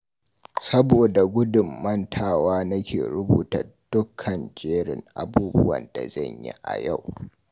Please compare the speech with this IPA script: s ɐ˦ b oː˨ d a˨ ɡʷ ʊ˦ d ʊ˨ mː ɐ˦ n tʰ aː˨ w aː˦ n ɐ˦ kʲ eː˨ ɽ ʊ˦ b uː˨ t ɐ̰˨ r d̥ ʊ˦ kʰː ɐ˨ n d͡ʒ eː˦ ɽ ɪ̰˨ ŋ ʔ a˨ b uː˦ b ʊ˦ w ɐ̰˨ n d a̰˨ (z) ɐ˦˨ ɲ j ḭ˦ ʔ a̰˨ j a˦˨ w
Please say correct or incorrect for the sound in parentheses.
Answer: correct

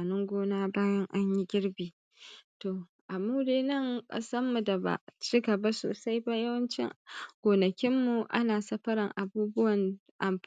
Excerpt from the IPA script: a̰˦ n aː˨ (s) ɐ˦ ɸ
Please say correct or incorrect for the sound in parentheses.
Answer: correct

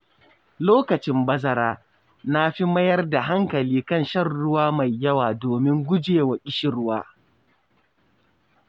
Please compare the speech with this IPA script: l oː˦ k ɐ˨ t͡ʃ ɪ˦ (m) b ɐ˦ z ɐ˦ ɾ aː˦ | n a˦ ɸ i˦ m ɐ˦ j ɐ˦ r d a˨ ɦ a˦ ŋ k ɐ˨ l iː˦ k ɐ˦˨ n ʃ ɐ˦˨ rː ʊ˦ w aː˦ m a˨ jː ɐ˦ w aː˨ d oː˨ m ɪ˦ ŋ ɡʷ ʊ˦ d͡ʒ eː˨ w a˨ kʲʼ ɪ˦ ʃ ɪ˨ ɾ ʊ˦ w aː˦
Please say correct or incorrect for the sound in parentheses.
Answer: correct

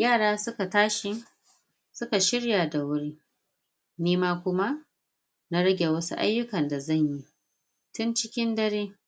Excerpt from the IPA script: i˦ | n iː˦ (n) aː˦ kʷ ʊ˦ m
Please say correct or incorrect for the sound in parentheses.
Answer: incorrect: m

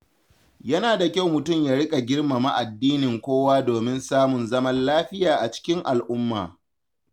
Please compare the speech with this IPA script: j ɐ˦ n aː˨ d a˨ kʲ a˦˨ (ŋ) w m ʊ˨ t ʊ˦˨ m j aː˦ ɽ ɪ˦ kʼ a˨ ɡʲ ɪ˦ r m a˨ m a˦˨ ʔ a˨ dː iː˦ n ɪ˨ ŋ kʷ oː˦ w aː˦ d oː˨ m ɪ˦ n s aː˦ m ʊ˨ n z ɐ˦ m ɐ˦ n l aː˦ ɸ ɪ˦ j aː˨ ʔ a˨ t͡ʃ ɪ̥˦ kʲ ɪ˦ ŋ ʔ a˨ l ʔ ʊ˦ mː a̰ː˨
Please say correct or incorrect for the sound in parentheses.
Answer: incorrect: none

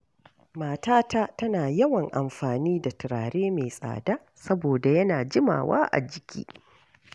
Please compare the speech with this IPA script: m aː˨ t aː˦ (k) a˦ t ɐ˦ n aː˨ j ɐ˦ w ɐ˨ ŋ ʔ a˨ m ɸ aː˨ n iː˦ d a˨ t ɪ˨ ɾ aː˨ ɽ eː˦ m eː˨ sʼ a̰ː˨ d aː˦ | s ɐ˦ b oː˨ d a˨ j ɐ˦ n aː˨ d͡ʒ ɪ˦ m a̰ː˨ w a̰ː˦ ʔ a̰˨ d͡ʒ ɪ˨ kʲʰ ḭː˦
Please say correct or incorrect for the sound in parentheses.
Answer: incorrect: t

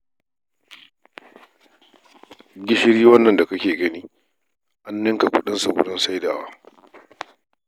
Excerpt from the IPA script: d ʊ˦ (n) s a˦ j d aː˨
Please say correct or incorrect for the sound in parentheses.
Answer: correct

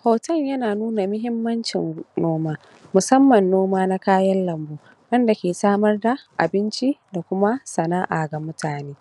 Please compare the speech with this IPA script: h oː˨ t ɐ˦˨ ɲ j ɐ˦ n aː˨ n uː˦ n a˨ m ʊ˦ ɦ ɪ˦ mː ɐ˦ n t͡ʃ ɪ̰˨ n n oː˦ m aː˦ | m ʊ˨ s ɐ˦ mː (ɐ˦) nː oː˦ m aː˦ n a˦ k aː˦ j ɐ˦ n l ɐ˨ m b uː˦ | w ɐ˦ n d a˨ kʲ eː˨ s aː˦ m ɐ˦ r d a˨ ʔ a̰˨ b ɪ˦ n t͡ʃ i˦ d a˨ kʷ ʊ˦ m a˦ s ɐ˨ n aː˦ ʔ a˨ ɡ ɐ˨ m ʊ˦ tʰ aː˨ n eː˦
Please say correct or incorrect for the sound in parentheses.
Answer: incorrect: ɐ˨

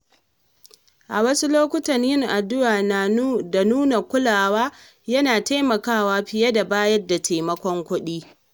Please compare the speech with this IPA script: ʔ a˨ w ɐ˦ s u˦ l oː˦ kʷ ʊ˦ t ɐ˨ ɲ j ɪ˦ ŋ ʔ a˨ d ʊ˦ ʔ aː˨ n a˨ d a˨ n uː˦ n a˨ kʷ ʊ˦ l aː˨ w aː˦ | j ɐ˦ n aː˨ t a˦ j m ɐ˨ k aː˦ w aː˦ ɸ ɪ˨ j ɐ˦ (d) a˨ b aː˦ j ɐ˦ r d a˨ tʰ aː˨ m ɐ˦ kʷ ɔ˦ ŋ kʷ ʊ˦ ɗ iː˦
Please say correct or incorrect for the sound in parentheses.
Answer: correct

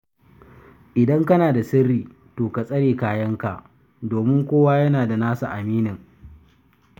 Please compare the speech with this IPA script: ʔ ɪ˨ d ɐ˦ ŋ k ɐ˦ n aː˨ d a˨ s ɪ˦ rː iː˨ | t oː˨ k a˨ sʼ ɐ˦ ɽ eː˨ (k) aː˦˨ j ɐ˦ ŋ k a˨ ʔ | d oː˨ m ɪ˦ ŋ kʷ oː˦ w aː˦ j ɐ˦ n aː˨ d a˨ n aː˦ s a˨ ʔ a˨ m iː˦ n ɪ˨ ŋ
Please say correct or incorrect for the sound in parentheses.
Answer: correct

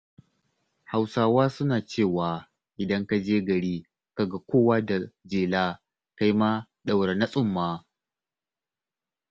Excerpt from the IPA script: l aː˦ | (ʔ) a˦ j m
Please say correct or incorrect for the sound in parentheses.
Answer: incorrect: k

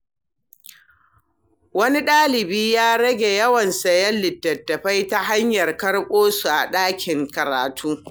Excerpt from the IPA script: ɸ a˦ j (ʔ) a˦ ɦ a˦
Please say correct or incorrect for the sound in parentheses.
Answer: incorrect: t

